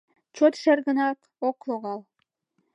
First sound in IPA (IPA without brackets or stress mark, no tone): t͡ɕ